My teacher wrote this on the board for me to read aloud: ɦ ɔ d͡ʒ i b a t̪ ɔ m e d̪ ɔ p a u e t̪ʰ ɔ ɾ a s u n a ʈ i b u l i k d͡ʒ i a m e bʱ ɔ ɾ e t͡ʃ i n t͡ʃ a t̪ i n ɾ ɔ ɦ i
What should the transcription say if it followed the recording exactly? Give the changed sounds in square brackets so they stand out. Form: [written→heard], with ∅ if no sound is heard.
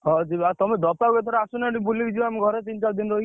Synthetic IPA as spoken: ɦ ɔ d͡ʒ i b a t̪ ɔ m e d̪ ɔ p a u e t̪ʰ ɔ ɾ a s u n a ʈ i b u l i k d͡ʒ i a m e [bʱ→ɡʱ] ɔ ɾ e t͡ʃ i n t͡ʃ a [t̪→d̪] i n ɾ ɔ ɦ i